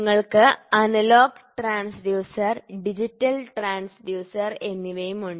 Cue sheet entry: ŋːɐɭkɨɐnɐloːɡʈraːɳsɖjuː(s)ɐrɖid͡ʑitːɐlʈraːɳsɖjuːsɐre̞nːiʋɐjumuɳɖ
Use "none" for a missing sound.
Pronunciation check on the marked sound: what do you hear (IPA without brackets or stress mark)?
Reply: s